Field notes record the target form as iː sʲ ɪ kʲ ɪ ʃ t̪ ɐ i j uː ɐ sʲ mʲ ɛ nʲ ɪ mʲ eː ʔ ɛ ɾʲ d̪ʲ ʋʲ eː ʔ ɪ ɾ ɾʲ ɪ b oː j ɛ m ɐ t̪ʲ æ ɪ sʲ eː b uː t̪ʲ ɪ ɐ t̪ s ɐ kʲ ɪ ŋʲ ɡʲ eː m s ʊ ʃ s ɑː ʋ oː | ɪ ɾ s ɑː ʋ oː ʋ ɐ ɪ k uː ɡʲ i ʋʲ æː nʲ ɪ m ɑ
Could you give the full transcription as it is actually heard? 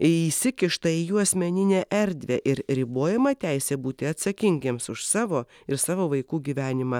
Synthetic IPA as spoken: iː sʲ ɪ kʲ ɪ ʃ t̪ ɐ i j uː ɐ sʲ mʲ ɛ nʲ ɪ nʲ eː ʔ ɛ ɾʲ d̪ʲ ʋʲ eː ʔ ɪ ɾ ɾʲ ɪ b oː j ɛ m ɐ t̪ʲ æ ɪ sʲ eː b uː t̪ʲ ɪ ɐ t̪ s ɐ kʲ ɪ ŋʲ ɡʲ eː m s ʊ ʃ s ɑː ʋ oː | ɪ ɾ s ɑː ʋ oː ʋ ɐ ɪ k uː ɡʲ i ʋʲ æː nʲ ɪ m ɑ